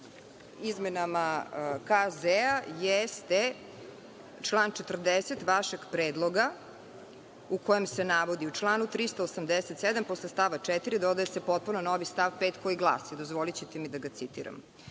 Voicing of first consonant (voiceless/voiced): voiced